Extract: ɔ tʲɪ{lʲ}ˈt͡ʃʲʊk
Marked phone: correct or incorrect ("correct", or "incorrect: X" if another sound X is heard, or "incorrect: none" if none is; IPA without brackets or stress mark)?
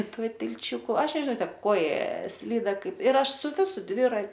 correct